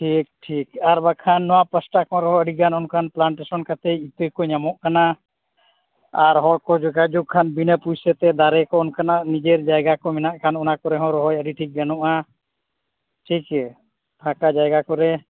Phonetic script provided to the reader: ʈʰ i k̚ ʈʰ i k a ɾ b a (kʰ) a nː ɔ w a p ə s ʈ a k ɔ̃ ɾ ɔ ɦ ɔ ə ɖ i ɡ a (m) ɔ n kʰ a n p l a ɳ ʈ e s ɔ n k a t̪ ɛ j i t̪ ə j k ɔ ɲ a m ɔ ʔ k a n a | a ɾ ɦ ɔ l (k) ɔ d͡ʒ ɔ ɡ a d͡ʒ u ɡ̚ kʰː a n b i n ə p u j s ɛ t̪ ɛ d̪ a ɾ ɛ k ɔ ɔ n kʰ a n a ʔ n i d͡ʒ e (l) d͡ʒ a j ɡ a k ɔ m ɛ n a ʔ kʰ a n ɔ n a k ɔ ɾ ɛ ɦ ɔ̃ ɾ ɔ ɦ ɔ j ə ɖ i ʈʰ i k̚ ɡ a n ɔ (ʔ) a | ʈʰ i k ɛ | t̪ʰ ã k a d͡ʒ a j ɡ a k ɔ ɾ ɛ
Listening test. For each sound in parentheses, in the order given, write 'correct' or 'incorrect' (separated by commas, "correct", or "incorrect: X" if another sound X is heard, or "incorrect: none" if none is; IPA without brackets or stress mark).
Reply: correct, incorrect: n, correct, incorrect: ɾ, correct